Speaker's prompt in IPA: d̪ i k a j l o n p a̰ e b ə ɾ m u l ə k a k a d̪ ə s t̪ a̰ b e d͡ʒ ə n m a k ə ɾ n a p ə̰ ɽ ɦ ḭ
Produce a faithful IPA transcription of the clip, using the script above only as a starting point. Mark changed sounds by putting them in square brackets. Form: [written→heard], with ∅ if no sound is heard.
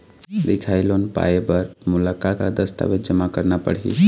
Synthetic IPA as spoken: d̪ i [k→kʰ] a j l o n p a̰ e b ə ɾ m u l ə k a k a d̪ ə s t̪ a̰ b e d͡ʒ ə [n→∅] m a k ə ɾ n a p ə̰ ɽ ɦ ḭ